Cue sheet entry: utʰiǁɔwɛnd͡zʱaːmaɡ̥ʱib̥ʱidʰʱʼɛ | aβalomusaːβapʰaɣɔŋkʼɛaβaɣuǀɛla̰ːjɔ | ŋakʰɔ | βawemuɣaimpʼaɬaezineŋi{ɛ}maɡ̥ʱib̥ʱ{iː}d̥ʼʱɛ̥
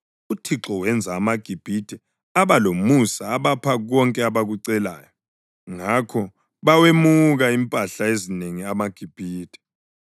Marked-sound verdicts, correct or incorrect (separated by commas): incorrect, correct